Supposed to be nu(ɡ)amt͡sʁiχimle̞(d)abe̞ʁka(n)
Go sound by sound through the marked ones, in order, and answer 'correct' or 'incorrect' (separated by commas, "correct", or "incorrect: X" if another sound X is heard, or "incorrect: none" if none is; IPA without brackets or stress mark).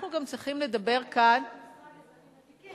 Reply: correct, correct, correct